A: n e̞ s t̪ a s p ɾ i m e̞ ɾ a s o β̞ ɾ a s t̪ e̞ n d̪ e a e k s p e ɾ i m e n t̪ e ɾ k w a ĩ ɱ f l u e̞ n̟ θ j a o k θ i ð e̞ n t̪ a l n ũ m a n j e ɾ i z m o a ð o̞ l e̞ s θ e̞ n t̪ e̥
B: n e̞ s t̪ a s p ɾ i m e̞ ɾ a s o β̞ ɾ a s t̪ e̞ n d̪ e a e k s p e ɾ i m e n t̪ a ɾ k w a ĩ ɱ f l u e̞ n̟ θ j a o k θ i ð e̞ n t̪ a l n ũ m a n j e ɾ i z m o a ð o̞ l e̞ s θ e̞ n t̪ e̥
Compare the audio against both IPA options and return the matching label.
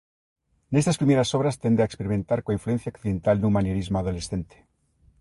B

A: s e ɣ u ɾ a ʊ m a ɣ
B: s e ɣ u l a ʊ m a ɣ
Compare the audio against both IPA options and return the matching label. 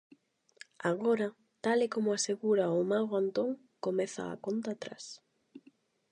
A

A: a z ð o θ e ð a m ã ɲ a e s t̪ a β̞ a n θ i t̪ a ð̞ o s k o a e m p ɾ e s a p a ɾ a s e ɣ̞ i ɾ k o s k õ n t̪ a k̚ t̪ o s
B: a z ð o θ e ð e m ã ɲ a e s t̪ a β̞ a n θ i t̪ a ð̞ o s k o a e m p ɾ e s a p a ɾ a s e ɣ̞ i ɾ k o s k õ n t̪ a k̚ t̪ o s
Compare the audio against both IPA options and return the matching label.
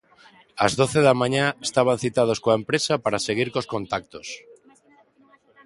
A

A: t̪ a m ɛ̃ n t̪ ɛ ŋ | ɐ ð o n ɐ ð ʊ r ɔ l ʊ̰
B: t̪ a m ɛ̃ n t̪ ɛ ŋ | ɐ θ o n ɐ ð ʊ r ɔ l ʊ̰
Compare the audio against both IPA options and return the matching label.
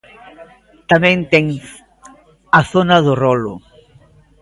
B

